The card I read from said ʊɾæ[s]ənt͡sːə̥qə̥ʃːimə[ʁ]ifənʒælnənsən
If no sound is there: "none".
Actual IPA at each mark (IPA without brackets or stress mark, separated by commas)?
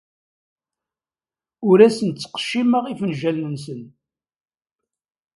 s, ʁ